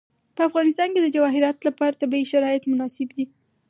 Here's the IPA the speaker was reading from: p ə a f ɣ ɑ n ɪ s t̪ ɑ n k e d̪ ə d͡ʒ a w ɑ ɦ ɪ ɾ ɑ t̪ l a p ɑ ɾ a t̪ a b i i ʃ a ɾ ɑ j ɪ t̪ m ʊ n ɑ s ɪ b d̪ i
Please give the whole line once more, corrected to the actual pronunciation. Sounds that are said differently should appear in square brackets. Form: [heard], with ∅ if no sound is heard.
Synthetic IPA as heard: p ə a f ɣ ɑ n ɪ s t̪ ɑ n k e d̪ ə d͡ʒ a w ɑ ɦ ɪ ɾ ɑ t̪ l a p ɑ ɾ a t̪ a b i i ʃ a ɾ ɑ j ɪ t̪ m ʊ n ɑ s ɪ b d̪ i